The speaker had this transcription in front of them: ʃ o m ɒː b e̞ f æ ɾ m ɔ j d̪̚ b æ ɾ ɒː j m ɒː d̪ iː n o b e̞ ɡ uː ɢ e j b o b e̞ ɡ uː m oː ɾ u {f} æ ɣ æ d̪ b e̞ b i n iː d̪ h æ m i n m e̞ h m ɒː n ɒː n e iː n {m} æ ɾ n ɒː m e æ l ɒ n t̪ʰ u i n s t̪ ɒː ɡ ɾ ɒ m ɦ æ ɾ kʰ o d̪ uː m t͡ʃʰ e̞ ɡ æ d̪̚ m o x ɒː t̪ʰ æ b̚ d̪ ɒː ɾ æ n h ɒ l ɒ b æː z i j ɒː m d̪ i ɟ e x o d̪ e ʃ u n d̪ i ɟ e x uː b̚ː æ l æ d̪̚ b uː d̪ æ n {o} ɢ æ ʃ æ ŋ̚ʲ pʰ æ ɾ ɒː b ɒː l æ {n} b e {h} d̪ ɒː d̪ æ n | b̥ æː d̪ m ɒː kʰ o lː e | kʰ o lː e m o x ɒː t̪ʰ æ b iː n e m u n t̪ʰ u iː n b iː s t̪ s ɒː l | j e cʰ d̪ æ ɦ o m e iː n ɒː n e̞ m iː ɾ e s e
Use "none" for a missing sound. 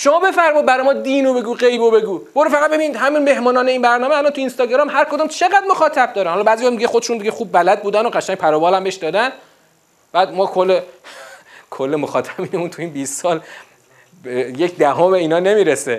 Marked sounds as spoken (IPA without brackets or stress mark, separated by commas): f, b, o, m, ʃ